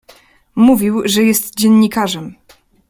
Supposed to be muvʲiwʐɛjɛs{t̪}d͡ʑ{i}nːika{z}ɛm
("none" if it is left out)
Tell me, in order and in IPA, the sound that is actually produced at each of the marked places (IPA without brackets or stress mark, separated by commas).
t̪, ɛ, ʐ